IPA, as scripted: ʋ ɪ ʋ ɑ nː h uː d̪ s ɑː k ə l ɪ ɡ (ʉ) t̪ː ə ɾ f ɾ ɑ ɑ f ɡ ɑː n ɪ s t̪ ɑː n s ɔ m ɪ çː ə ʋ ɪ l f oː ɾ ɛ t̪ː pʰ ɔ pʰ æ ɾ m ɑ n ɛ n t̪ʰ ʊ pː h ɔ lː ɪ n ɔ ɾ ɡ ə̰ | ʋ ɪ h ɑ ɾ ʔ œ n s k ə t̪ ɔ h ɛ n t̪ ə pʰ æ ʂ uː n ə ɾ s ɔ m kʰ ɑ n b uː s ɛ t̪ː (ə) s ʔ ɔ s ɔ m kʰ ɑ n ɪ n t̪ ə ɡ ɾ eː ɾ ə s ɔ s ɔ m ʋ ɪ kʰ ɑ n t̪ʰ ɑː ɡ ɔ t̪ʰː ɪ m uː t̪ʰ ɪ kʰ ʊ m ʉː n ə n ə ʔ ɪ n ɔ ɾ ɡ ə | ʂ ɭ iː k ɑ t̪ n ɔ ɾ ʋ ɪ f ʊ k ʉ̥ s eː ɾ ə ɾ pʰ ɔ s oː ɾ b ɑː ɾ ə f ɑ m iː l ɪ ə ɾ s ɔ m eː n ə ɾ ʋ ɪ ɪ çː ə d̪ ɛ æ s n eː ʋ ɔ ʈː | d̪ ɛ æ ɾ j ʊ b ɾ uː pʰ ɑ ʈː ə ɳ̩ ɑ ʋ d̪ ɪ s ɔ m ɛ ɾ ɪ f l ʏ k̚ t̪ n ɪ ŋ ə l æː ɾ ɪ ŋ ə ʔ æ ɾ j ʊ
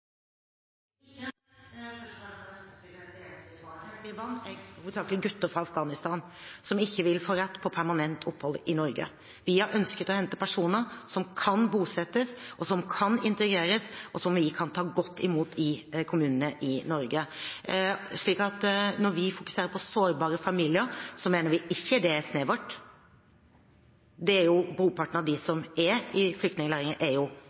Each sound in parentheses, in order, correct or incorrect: correct, correct

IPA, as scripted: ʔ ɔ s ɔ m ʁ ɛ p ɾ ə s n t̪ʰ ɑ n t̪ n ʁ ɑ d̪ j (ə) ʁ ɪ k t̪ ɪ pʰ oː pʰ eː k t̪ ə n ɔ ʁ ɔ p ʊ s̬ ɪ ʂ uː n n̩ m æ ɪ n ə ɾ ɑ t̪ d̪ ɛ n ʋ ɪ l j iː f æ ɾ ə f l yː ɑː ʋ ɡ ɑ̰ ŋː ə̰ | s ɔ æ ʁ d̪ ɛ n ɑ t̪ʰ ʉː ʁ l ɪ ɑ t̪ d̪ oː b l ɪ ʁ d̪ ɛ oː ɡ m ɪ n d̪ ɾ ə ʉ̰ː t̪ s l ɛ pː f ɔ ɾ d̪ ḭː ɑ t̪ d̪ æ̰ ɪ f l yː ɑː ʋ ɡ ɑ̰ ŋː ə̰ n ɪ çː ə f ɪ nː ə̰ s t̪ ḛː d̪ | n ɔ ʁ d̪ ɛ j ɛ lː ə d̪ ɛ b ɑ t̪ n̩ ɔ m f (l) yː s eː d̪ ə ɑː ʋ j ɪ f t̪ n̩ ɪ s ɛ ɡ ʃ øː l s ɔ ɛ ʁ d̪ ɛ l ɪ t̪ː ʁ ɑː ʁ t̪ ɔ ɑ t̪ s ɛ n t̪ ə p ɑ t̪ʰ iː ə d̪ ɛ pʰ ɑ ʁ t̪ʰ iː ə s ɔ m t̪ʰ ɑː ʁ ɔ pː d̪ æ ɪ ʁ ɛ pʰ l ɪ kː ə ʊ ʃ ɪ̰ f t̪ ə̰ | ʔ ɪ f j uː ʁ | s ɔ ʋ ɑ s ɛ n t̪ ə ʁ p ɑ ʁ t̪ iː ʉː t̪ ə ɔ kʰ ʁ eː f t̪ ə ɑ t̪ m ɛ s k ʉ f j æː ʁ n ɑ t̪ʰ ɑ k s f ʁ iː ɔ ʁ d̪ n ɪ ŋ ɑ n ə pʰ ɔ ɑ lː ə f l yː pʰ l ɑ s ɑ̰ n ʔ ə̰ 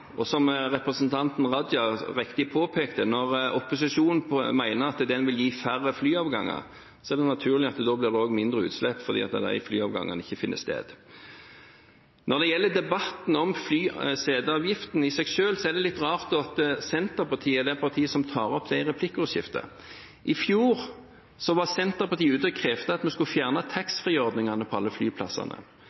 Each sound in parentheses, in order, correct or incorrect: incorrect, correct

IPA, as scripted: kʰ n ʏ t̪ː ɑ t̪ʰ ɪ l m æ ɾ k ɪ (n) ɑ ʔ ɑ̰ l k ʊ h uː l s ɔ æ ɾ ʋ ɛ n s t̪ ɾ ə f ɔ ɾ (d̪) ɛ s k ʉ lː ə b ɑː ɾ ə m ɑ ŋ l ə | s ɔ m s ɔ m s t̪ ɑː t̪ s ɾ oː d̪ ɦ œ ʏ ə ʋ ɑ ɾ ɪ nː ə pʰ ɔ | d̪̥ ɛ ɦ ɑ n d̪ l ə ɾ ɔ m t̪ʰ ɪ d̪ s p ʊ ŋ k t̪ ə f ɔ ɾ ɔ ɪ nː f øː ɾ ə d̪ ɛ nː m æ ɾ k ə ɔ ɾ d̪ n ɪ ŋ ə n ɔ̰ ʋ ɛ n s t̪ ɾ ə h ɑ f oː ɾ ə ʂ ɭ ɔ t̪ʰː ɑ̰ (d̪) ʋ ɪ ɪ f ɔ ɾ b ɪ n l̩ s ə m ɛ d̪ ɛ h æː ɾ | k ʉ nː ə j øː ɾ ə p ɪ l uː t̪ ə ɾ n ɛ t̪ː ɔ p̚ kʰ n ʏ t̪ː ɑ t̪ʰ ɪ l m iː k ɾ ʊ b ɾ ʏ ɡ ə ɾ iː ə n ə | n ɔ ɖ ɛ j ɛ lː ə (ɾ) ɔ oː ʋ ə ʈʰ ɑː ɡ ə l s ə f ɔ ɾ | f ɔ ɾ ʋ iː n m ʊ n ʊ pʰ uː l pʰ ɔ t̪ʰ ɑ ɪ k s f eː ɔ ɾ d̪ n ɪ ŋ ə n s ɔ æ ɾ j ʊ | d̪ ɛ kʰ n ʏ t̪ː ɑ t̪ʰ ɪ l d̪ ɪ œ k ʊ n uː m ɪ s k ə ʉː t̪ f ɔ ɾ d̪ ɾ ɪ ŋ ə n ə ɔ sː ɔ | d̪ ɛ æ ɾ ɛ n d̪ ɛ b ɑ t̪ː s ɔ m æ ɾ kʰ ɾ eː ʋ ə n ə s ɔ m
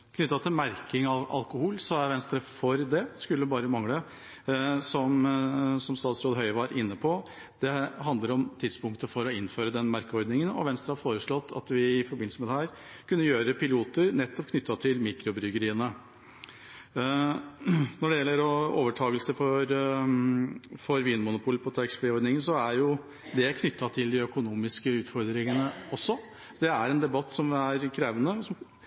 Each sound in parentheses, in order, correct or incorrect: incorrect, correct, incorrect, correct

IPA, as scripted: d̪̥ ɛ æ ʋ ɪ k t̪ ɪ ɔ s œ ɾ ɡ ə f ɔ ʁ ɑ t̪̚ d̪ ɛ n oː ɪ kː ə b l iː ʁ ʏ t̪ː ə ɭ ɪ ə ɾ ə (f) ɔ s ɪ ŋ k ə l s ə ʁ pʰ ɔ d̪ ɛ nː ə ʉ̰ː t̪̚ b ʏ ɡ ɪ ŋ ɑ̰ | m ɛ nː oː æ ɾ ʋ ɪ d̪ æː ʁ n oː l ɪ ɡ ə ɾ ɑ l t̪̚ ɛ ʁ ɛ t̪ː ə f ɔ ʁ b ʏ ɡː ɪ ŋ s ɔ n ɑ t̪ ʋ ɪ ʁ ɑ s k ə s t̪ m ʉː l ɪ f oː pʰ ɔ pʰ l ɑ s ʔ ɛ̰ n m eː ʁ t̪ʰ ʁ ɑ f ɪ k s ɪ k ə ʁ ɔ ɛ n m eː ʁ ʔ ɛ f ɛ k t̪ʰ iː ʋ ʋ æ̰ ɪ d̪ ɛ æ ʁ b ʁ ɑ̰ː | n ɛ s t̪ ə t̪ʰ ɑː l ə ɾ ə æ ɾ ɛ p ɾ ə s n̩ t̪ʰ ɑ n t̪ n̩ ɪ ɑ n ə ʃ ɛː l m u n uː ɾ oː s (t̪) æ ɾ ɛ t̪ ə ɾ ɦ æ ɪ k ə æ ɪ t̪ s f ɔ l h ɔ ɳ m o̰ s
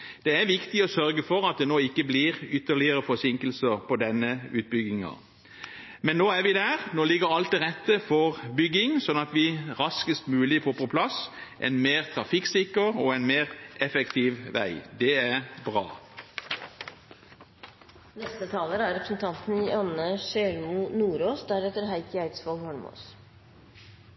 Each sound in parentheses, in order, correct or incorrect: correct, incorrect

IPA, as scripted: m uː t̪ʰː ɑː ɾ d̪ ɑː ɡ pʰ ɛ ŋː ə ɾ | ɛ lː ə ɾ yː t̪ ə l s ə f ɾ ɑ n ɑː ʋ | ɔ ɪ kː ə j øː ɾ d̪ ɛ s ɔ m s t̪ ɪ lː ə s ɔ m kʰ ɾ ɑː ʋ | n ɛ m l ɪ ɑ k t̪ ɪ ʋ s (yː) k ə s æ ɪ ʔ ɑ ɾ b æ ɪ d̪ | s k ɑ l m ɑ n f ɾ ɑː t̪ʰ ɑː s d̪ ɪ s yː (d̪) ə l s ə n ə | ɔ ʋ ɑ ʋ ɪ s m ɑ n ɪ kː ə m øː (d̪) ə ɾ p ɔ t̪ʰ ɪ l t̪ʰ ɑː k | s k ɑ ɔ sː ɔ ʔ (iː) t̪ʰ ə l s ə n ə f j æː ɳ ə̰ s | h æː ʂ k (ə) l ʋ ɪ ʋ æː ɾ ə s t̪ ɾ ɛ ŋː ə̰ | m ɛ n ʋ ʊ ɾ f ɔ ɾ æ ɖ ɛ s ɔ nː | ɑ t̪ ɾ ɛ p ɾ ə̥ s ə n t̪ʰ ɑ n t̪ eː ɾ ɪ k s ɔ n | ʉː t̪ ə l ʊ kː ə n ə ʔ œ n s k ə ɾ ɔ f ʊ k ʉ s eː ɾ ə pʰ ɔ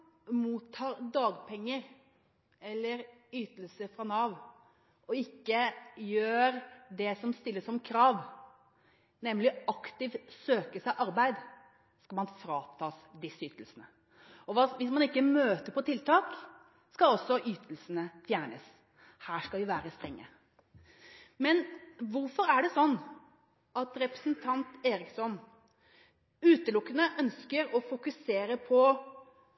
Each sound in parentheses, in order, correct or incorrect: incorrect, incorrect, incorrect, incorrect, incorrect

